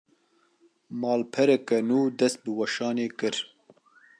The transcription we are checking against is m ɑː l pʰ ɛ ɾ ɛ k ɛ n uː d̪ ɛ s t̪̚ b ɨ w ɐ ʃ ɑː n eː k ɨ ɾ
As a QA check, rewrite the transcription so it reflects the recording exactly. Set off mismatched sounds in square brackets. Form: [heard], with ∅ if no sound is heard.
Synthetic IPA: m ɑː l pʰ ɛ ɾ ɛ k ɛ n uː d̪ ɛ s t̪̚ b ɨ w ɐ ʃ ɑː n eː k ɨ ɾ